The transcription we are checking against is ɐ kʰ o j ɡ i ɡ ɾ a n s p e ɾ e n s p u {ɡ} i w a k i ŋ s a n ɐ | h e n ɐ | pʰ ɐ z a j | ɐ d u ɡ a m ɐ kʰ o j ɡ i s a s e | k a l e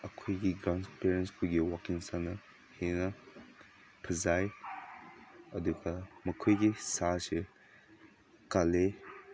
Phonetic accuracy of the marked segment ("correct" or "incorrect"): correct